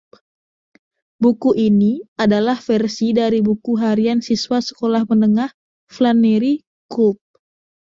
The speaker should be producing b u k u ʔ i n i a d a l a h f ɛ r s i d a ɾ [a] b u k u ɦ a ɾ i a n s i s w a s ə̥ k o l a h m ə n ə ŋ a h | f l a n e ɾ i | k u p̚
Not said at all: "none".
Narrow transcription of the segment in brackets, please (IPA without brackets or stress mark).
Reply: i